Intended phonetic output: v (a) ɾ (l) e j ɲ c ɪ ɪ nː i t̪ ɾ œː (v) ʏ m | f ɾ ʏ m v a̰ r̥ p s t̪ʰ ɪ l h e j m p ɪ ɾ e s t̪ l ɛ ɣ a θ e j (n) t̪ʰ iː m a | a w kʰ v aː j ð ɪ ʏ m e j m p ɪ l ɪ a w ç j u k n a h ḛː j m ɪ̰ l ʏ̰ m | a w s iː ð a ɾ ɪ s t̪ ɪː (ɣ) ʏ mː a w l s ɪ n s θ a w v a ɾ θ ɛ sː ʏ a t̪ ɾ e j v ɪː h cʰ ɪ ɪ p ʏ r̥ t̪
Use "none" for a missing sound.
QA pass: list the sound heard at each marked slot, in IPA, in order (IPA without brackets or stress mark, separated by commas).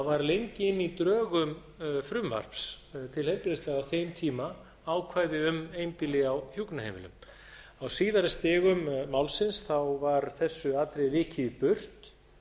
a, l, ɣ, m, ɣ